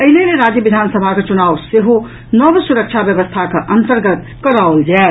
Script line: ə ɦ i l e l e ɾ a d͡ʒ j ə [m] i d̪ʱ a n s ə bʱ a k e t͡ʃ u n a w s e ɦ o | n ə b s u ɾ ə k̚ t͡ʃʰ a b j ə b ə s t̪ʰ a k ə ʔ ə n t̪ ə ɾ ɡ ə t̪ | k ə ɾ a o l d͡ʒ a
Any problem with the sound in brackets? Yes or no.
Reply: yes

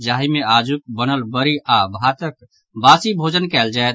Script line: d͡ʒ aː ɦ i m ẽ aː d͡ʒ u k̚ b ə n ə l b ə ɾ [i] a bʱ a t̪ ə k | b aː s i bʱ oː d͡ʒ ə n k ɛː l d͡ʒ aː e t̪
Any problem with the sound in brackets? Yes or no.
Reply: no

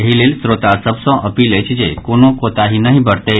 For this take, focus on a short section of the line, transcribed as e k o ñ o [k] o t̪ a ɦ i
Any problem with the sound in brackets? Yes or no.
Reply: no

